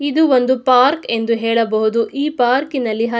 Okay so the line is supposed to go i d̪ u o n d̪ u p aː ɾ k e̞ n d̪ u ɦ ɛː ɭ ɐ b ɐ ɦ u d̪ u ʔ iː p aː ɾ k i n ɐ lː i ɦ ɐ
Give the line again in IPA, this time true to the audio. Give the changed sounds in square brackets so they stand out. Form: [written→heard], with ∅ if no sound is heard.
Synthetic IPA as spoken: i d̪ u o n d̪ u p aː ɾ k e̞ n d̪ u ɦ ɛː ɭ ɐ b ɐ ɦ u d̪ u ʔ iː p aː ɾ k i n ɐ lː i ɦ ɐ